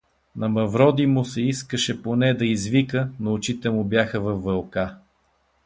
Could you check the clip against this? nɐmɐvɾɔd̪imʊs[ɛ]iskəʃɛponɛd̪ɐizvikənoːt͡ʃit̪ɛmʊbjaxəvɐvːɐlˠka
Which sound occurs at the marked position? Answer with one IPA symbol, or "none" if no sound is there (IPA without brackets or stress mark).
ɛ